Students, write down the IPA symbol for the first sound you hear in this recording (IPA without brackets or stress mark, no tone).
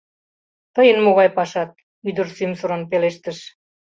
t̪